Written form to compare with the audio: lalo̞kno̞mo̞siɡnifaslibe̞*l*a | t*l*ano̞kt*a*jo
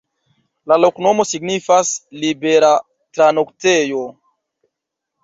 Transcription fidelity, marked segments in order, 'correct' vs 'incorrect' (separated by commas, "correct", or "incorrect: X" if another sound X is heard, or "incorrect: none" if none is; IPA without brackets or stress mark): incorrect: ɾ, incorrect: ɾ, incorrect: e